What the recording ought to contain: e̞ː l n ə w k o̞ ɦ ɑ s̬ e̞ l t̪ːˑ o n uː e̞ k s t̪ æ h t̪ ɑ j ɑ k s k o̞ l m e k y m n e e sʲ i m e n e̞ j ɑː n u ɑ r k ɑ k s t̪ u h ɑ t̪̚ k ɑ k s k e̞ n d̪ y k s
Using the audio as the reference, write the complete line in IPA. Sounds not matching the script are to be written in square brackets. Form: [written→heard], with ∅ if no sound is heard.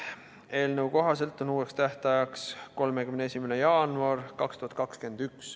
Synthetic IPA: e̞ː l n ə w k o̞ ɦ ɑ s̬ e̞ l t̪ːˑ o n uː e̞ k s t̪ æ h t̪ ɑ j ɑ k s k o̞ l m e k y m n e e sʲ i m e n e̞ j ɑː n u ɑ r k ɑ k s t̪ u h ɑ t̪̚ k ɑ k s k e̞ n d̪ y k s